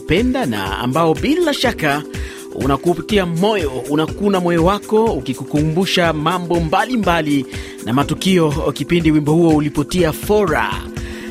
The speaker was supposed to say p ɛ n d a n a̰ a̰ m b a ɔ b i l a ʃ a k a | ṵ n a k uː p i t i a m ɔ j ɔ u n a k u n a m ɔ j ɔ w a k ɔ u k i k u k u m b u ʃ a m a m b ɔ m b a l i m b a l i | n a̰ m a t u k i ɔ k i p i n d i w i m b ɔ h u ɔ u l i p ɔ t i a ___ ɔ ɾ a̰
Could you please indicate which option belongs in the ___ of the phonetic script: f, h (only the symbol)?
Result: f